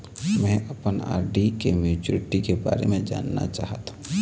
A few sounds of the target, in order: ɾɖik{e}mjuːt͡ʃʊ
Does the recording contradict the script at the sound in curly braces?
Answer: no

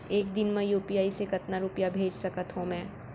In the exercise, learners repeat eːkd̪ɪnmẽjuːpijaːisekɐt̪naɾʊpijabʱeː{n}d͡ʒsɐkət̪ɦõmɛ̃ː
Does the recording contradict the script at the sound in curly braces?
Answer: yes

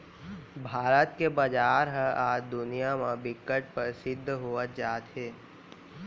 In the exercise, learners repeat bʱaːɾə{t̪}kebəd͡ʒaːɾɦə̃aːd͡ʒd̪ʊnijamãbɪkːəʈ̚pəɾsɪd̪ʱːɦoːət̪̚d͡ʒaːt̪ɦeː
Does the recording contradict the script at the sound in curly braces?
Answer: no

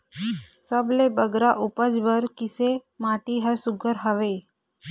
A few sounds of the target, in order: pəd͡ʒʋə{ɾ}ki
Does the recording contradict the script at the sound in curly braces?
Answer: no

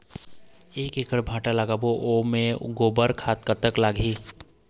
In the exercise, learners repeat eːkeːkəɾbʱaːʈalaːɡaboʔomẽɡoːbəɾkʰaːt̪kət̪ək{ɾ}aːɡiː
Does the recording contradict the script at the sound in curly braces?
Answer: yes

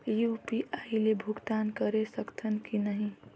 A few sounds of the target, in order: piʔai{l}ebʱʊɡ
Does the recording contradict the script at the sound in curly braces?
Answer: no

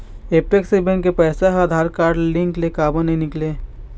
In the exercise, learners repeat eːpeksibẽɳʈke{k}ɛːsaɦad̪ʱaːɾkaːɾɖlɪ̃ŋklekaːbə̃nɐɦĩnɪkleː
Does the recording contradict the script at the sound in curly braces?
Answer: yes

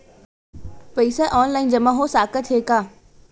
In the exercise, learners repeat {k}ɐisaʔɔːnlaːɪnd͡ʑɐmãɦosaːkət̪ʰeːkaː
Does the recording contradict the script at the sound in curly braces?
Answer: yes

